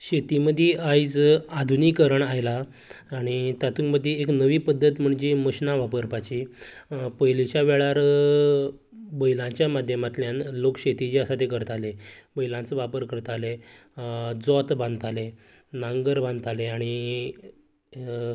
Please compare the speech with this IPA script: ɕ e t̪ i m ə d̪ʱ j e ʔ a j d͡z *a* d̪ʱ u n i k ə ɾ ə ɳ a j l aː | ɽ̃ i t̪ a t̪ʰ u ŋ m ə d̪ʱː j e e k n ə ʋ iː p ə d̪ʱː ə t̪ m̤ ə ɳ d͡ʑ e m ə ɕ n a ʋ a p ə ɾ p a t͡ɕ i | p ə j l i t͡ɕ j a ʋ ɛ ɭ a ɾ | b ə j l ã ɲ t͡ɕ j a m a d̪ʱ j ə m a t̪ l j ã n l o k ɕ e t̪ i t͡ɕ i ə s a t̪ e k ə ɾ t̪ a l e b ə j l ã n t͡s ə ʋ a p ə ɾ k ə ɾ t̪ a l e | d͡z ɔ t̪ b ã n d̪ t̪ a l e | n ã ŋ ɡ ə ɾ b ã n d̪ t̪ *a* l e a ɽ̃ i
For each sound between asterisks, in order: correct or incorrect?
correct, correct

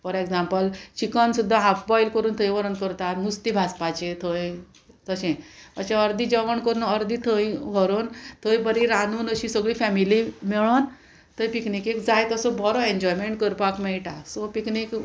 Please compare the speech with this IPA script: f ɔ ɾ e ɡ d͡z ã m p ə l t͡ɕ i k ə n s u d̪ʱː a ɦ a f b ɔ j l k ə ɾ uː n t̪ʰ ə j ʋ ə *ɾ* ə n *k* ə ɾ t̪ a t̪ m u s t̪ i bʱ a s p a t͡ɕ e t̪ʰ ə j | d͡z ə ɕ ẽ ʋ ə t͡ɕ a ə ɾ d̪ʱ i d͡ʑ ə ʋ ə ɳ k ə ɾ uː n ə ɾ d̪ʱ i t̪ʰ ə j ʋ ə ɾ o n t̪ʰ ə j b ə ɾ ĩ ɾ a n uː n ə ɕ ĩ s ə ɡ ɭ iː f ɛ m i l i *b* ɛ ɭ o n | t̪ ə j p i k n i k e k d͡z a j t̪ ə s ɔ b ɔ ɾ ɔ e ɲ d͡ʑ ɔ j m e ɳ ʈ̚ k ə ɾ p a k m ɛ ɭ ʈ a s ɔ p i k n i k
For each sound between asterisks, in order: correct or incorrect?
correct, correct, incorrect: m

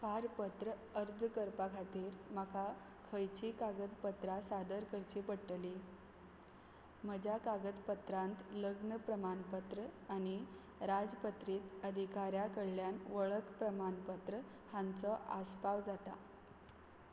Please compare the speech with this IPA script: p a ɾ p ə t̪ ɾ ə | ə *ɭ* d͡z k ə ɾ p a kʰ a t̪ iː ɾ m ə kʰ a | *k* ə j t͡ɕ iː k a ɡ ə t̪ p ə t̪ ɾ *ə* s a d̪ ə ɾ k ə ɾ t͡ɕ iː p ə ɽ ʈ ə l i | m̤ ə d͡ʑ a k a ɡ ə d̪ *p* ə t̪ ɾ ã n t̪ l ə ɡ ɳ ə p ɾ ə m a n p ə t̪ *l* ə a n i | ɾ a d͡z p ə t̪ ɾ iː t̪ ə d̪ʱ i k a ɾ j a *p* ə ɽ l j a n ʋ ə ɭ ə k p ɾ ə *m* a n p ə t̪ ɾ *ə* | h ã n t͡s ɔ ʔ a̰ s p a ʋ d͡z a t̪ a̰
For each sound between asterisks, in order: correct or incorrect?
incorrect: ɾ, incorrect: kʰ, incorrect: a, correct, incorrect: ɾ, incorrect: k, correct, correct

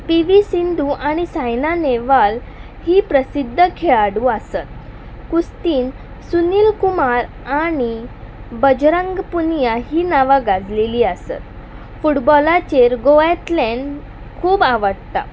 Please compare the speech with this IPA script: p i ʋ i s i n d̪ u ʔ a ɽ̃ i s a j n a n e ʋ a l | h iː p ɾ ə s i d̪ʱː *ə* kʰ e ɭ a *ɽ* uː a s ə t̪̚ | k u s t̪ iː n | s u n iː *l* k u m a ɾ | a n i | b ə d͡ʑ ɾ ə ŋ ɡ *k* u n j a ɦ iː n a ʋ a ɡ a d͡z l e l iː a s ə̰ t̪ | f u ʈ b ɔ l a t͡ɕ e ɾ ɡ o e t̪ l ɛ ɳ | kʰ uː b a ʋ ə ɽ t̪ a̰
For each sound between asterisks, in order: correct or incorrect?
correct, correct, correct, incorrect: p

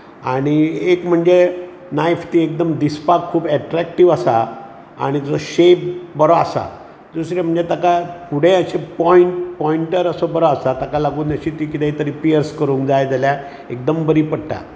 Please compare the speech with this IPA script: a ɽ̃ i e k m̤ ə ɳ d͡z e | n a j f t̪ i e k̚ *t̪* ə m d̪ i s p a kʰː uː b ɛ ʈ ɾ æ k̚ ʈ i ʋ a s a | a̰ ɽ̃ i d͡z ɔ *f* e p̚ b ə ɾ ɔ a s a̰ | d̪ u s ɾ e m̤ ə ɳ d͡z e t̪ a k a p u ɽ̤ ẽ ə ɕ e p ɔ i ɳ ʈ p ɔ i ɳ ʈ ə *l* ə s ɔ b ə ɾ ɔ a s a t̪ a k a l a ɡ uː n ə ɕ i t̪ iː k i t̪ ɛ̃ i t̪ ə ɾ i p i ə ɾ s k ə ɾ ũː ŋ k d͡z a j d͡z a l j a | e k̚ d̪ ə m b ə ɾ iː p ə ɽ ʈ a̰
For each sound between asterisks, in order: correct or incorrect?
incorrect: d̪, incorrect: ɕ, incorrect: ɾ

